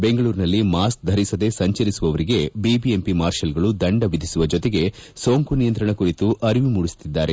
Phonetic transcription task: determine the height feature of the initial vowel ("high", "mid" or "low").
mid